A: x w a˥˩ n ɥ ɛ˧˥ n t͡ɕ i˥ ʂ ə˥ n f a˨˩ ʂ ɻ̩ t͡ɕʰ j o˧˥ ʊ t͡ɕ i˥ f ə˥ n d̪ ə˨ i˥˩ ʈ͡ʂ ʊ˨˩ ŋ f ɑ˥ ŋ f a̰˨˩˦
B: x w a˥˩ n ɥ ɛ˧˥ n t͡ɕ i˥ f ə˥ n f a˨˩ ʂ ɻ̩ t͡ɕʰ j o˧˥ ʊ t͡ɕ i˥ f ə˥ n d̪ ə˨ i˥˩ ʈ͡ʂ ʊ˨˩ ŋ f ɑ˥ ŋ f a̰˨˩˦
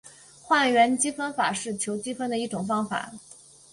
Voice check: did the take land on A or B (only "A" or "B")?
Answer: B